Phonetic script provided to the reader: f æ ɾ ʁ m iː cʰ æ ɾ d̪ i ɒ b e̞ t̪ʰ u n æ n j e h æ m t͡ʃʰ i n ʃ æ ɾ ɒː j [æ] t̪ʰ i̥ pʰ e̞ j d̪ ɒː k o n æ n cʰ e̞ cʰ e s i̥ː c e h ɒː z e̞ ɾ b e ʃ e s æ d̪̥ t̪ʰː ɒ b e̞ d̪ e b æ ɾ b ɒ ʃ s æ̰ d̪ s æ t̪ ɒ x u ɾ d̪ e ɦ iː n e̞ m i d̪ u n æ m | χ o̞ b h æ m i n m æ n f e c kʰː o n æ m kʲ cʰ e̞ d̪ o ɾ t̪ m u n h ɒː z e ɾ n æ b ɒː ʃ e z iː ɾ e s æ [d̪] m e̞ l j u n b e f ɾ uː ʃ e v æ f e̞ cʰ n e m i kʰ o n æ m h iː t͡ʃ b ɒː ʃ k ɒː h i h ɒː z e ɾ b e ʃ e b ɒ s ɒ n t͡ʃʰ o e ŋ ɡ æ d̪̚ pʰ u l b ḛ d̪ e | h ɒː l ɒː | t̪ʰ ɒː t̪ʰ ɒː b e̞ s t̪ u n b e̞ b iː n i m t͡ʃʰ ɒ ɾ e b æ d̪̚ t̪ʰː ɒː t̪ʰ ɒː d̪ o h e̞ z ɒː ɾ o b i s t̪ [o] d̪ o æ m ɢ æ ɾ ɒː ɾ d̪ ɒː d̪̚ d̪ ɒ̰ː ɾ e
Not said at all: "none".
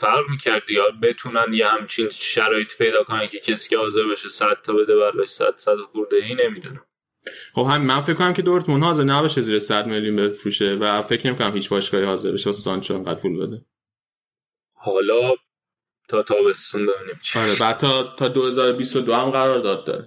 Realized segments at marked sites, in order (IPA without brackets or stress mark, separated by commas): e, d̪, o